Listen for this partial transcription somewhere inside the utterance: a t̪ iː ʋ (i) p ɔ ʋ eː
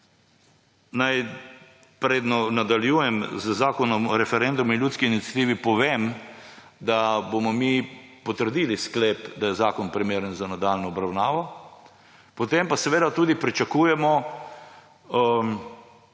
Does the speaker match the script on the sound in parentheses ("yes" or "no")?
yes